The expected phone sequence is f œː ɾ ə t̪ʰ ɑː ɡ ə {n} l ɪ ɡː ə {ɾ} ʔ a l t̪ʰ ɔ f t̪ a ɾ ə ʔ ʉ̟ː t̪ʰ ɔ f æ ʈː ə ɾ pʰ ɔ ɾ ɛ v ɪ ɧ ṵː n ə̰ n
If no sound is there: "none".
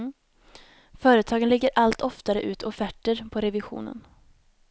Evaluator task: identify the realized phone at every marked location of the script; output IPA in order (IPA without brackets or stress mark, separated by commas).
n, ɾ